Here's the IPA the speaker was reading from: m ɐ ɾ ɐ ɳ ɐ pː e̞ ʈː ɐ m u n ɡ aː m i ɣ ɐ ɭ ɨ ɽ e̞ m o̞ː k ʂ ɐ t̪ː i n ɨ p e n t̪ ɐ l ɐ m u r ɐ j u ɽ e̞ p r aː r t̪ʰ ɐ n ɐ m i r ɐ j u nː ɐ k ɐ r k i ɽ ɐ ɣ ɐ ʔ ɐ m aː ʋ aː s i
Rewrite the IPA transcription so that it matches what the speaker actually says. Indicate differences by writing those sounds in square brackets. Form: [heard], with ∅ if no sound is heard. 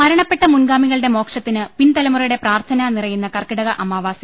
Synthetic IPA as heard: m ɐ ɾ ɐ ɳ ɐ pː e̞ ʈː ɐ m u n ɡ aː m i ɣ ɐ ɭ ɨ ɽ e̞ m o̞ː k ʂ ɐ t̪ː i n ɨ p [i] n t̪ ɐ l ɐ m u r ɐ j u ɽ e̞ p r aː r t̪ʰ ɐ n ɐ [n] i r ɐ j u nː ɐ k ɐ r k i ɽ ɐ ɣ ɐ ʔ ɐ m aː ʋ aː s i